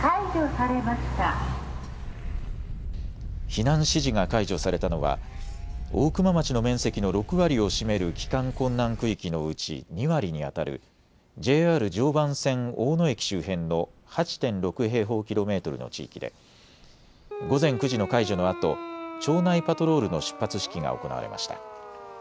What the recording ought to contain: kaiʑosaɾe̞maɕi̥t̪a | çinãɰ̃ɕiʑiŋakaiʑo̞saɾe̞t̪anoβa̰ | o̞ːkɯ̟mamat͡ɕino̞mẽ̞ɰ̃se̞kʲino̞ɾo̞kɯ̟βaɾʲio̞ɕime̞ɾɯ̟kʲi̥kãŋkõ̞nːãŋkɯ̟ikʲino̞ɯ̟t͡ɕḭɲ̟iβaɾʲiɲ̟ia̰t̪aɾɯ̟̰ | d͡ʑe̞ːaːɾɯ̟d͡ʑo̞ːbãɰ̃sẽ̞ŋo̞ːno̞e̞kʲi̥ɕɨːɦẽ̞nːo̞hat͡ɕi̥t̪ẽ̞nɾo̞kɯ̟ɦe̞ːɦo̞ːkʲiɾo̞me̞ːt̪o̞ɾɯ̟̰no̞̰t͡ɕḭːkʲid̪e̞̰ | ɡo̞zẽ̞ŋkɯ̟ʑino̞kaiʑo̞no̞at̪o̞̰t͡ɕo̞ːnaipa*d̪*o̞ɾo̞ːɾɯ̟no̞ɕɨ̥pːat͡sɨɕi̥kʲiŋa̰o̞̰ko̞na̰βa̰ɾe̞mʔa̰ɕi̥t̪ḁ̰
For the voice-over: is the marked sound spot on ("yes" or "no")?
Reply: no